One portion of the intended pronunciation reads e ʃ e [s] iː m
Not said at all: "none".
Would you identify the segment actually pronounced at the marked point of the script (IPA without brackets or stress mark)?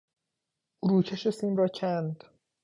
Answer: s